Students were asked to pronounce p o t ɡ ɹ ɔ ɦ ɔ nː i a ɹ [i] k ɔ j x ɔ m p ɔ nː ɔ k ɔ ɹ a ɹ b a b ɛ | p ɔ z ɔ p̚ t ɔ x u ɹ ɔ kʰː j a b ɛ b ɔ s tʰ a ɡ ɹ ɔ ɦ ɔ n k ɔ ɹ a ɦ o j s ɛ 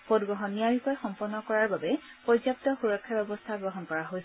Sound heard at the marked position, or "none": i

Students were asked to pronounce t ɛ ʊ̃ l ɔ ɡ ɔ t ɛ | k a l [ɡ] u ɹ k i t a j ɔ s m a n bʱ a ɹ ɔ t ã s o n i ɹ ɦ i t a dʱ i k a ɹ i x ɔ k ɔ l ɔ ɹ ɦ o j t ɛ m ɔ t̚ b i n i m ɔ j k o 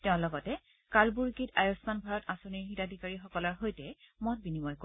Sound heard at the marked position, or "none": b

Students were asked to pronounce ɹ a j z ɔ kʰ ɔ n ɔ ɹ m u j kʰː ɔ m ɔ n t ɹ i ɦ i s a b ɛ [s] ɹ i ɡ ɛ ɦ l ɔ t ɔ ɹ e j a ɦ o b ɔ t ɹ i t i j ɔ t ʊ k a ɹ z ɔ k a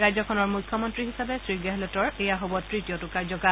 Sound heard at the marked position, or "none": s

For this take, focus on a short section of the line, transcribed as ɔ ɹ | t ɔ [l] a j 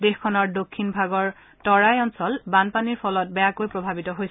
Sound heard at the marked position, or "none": ɹ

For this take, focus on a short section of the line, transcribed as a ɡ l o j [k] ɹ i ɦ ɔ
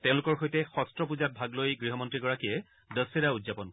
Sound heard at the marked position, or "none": ɡ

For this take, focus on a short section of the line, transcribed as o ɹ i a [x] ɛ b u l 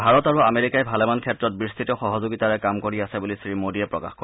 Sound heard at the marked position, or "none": s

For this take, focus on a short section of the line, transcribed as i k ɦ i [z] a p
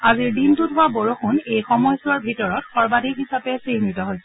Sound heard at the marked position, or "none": s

